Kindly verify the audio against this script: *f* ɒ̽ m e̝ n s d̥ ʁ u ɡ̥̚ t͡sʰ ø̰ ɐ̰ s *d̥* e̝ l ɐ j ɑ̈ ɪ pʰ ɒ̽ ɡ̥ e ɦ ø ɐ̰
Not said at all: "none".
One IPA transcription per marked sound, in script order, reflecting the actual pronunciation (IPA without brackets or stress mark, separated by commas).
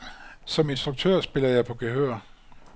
s, b̥